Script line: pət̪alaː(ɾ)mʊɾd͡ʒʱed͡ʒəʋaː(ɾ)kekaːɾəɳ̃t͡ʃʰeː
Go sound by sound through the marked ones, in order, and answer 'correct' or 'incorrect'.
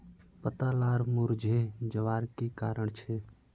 correct, correct

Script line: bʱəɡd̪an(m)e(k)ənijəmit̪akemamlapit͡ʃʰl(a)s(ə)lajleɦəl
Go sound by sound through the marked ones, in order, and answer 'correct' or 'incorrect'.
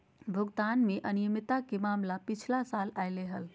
correct, incorrect: ʔ, correct, incorrect: a

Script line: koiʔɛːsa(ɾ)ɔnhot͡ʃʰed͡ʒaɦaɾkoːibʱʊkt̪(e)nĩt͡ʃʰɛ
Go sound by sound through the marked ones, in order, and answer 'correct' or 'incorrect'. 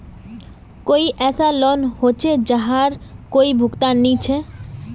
incorrect: l, incorrect: a

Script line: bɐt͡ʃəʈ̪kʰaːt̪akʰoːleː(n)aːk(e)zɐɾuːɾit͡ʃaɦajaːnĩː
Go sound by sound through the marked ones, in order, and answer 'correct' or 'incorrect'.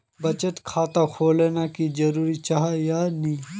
correct, incorrect: i

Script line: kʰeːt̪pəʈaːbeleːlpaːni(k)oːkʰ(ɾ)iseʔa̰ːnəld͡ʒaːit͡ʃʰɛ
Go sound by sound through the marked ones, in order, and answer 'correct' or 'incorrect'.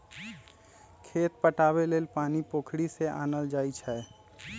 incorrect: p, incorrect: ɽ

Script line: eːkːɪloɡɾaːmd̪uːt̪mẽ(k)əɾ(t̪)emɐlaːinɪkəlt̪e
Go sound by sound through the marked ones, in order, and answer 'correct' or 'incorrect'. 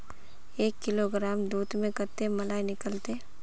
correct, correct

